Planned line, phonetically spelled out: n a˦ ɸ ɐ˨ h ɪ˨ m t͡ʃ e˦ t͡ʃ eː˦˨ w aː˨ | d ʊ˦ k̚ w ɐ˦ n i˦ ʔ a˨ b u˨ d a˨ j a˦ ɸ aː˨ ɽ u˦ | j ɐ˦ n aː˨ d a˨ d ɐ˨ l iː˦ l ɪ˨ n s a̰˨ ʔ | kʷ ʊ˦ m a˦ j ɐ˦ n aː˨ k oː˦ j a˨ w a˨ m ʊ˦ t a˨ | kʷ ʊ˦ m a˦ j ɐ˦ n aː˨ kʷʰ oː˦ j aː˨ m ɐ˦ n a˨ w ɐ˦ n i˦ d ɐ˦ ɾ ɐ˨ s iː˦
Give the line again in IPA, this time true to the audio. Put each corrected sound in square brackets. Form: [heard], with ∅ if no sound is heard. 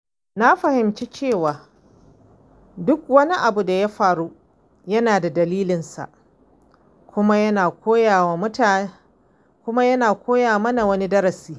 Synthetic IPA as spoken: n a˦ ɸ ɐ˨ h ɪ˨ m t͡ʃ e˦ t͡ʃ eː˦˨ w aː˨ | d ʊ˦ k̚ w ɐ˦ n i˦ ʔ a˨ b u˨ d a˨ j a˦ ɸ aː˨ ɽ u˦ | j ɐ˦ n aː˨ d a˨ d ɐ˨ l iː˦ l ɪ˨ n s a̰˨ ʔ | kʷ ʊ˦ m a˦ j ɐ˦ n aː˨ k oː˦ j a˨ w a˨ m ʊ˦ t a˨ | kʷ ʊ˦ m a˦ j ɐ˦ n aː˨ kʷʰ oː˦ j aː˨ m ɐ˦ n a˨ w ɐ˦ n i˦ d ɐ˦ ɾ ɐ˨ s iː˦